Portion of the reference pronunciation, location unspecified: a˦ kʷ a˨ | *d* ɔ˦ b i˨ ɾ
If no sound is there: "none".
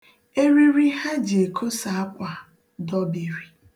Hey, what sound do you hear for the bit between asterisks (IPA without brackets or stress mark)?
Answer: d